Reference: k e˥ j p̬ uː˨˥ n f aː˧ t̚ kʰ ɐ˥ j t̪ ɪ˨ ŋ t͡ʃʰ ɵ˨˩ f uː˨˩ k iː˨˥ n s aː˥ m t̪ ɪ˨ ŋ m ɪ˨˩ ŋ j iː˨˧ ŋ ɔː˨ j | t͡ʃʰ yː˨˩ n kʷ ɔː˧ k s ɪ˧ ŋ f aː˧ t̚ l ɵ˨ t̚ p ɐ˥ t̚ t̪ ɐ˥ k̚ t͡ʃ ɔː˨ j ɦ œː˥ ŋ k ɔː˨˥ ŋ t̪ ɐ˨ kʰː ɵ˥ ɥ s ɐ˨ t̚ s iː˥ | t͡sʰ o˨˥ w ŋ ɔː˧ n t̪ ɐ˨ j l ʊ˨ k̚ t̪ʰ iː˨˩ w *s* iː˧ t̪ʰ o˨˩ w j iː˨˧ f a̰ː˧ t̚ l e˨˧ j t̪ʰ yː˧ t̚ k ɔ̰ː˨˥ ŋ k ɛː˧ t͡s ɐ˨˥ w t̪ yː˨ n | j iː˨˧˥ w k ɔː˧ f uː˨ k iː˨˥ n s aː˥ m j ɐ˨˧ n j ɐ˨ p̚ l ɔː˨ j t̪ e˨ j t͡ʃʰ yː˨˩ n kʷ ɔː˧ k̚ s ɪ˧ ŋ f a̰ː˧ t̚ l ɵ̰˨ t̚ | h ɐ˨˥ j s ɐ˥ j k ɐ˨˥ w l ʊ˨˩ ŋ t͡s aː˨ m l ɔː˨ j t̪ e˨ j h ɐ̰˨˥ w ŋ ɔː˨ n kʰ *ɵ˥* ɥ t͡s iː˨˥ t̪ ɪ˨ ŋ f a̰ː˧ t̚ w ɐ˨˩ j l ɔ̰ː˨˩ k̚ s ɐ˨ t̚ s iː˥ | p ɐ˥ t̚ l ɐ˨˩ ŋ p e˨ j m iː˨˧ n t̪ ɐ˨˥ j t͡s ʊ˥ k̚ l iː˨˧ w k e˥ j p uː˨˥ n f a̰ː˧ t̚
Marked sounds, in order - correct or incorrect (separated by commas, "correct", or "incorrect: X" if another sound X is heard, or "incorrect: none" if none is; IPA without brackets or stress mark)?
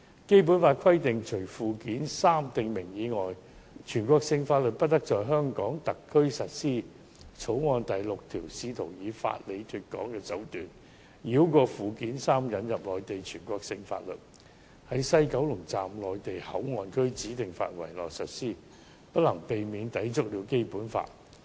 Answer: correct, correct